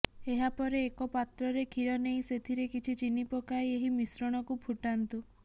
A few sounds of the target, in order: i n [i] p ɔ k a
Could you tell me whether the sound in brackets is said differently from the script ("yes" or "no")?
no